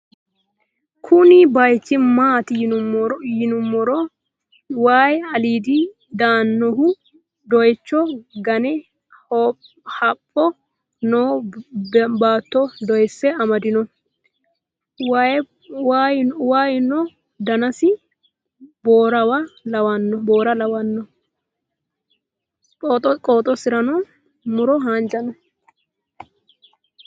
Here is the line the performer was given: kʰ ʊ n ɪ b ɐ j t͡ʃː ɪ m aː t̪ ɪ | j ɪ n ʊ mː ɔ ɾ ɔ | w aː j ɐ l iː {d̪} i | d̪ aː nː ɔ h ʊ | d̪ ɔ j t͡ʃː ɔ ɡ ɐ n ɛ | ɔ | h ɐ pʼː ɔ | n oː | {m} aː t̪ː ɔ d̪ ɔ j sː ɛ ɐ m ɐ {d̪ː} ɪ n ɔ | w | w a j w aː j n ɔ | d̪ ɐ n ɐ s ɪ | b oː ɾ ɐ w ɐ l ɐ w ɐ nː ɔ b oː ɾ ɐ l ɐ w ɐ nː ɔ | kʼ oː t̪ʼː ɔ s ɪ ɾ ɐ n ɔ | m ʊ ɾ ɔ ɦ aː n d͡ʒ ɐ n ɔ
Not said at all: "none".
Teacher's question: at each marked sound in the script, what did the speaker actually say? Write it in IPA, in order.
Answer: d̪, b, d̪

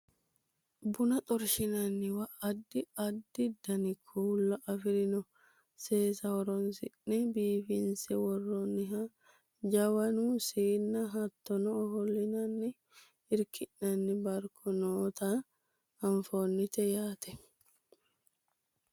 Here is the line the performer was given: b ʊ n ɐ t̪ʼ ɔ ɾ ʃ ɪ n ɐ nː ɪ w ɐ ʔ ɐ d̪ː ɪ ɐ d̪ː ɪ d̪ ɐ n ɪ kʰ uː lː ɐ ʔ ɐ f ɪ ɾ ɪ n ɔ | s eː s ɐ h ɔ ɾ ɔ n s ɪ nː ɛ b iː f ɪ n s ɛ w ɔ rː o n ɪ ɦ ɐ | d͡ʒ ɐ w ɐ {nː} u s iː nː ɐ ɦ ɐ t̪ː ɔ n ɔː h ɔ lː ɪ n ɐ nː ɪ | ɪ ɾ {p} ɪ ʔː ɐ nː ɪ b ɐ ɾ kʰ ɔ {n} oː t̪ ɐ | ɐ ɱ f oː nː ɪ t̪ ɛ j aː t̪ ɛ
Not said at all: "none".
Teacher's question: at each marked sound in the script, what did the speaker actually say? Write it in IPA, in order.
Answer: n, k, n

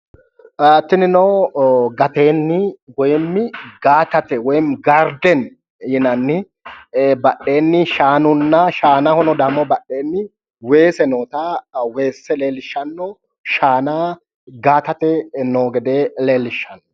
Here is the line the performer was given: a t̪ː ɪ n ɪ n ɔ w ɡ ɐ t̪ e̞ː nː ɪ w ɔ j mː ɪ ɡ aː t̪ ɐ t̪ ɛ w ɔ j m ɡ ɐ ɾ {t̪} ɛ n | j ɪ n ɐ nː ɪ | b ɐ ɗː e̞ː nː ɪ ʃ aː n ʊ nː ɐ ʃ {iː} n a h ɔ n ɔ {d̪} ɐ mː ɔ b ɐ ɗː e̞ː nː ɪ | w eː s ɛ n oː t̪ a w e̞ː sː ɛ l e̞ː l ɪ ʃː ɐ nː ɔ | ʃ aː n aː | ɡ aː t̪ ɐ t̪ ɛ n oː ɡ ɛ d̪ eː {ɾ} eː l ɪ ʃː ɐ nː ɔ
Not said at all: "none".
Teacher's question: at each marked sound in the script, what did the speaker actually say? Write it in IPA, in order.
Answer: d̪, aː, d̪, l

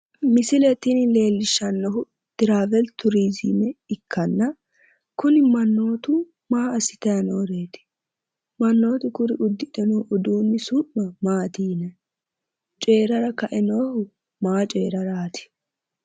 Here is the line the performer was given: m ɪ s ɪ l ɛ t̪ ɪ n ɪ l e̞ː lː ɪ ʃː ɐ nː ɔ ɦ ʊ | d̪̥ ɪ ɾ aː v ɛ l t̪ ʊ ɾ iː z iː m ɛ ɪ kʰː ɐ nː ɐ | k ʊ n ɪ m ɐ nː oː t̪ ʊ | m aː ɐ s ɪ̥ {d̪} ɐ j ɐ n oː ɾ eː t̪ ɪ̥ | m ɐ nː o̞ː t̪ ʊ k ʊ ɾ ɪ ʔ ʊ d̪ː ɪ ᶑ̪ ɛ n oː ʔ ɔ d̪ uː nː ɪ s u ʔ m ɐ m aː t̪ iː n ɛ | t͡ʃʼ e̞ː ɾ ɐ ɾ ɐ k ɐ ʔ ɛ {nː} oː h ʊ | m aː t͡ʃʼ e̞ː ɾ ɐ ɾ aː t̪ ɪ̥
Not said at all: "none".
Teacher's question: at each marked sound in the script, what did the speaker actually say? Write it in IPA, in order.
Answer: t̪, n

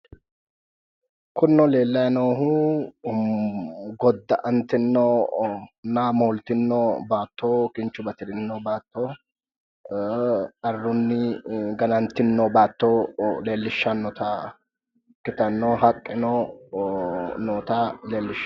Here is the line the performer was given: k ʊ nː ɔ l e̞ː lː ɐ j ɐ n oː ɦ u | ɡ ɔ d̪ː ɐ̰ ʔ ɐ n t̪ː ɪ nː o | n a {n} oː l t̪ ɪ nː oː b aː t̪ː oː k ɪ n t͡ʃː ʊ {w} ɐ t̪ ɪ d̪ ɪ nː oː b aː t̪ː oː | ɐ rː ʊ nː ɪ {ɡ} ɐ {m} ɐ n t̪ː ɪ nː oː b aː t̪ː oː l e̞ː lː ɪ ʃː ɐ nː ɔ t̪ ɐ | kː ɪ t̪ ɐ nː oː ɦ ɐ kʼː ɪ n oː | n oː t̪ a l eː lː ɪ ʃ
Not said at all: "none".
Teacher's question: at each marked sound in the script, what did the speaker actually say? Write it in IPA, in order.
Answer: m, b, ɡ, n

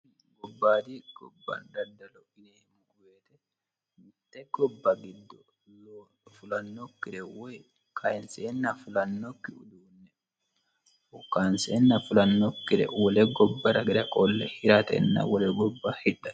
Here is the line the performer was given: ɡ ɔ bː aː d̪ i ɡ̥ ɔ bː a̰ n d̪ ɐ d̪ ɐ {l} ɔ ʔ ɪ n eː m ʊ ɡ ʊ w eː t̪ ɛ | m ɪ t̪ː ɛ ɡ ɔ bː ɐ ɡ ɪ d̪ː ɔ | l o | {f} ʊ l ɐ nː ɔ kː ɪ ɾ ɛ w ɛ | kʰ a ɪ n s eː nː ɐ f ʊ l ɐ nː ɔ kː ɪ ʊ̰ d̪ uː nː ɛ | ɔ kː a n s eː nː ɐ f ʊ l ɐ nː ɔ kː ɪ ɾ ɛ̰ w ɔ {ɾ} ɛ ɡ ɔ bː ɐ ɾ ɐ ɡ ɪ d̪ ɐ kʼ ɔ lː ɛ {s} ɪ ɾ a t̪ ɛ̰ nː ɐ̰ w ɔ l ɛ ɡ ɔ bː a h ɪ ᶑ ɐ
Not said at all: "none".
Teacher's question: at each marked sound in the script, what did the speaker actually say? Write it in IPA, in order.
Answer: l, f, l, h

